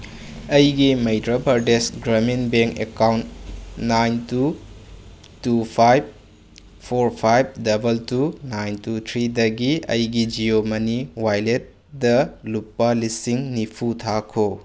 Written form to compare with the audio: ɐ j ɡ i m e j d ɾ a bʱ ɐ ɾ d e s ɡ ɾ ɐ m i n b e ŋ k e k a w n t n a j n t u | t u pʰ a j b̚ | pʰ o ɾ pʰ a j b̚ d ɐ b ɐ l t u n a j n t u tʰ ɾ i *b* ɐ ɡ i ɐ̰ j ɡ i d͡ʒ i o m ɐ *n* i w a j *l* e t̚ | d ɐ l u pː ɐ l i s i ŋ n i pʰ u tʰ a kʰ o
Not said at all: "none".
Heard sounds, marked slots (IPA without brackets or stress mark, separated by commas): d, n, l